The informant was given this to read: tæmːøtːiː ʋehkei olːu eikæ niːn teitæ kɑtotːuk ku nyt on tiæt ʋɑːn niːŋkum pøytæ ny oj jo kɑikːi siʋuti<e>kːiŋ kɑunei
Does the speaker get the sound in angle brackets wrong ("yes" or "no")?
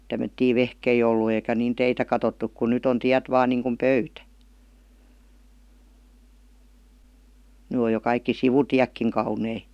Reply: yes